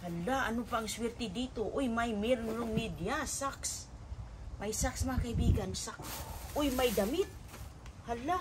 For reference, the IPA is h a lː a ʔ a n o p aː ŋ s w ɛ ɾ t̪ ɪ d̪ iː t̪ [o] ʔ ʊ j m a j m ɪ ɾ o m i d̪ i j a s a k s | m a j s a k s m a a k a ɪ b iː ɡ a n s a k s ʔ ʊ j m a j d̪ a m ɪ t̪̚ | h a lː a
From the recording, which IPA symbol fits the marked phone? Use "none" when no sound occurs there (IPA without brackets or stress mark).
o